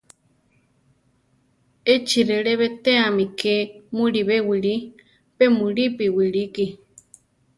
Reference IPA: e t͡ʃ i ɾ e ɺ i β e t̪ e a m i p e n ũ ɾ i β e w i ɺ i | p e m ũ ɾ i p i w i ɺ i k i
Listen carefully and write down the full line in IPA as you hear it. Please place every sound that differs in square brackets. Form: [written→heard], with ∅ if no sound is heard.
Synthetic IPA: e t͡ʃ i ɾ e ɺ [i→e] β e t̪ e a m i [p→k] e [n→m] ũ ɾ i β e w i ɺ i | p e m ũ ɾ i p i w i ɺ i k i